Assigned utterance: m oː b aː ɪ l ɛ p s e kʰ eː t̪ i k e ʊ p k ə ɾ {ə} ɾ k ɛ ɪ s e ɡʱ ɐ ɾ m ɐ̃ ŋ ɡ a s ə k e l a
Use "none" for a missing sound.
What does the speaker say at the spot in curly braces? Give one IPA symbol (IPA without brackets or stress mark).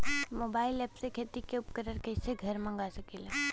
ə